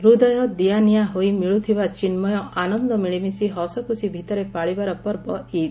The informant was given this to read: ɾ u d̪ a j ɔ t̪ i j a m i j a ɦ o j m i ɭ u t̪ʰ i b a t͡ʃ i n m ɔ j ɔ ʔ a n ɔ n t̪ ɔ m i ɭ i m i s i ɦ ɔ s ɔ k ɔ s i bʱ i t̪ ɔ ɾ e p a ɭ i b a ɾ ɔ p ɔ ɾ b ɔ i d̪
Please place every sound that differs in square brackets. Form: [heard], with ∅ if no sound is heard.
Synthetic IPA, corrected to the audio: ɾ u d̪ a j ɔ [d̪] i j a [n] i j a ɦ o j m i ɭ u t̪ʰ i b a t͡ʃ i n m ɔ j ɔ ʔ a n ɔ n [d̪] ɔ m i ɭ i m i s i ɦ ɔ s ɔ k [u] s i bʱ i t̪ ɔ ɾ e p a ɭ i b a ɾ ɔ p ɔ ɾ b ɔ i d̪